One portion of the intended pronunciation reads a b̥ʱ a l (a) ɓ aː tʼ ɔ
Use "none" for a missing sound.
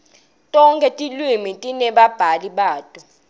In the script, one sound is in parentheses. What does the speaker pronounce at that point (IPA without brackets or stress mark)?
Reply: i